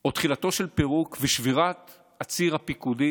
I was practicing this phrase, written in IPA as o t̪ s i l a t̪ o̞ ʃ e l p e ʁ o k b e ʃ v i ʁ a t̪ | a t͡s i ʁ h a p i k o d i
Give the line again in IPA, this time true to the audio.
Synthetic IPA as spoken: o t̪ χ i l a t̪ o̞ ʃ e l p e ʁ u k v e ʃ v i ʁ a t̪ | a t͡s i ʁ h a p i k u d i